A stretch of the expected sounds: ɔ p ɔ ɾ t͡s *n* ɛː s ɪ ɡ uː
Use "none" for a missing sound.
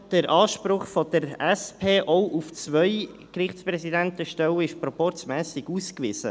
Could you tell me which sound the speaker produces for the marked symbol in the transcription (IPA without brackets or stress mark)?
m